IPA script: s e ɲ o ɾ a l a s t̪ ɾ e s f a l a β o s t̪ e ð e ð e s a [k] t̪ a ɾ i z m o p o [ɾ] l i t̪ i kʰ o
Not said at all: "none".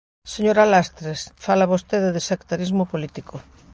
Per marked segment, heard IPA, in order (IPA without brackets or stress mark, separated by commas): k, none